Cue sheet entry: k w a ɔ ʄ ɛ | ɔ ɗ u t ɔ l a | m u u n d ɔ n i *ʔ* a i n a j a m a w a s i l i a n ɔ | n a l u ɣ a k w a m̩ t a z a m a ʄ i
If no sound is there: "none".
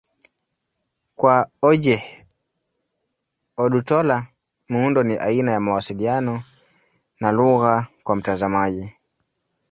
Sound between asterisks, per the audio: ʔ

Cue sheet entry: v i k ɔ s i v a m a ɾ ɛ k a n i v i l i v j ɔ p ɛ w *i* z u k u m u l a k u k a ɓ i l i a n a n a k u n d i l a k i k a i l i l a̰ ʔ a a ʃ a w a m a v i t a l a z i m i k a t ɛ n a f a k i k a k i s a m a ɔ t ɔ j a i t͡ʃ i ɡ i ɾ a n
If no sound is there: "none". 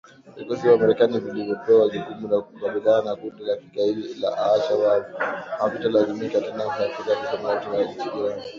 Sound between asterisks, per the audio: a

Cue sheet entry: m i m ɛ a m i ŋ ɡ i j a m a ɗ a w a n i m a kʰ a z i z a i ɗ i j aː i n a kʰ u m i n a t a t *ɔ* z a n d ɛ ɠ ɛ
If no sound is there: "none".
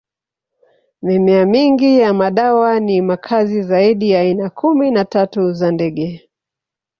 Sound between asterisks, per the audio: u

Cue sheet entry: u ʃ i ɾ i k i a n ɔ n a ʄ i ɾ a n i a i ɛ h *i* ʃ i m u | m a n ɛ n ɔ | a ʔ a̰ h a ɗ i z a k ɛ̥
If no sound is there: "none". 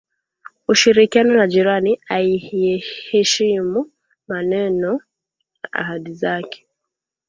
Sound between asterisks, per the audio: ɛ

